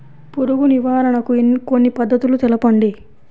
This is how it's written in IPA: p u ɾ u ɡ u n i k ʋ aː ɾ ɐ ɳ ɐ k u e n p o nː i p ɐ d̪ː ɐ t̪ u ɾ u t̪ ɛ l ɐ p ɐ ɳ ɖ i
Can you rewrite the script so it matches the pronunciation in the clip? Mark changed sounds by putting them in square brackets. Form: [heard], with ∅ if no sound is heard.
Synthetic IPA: p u ɾ u ɡ u n i [∅] ʋ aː ɾ ɐ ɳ ɐ k u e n [k] o nː i p ɐ d̪ː ɐ t̪ u [l] u t̪ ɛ l ɐ p ɐ ɳ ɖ i